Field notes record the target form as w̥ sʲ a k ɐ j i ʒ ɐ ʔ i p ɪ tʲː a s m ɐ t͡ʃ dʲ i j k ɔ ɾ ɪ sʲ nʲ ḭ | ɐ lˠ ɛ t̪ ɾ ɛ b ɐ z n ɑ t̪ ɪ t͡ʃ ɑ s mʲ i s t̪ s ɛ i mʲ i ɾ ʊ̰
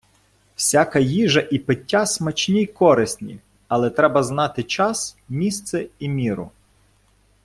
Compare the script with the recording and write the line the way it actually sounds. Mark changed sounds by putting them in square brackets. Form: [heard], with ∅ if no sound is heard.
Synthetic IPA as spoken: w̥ sʲ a k ɐ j i ʒ ɐ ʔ i p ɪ tʲː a s m ɐ t͡ʃ [nʲ] i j k ɔ ɾ ɪ sʲ nʲ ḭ | ɐ lˠ ɛ t̪ ɾ ɛ b ɐ z n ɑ t̪ ɪ t͡ʃ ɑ s mʲ i s t̪ s ɛ i mʲ i ɾ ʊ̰